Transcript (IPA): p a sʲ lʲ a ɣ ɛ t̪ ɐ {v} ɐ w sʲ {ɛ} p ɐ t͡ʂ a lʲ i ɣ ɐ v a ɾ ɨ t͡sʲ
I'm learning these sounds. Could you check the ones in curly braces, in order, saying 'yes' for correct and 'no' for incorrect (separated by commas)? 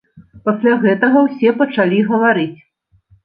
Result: no, yes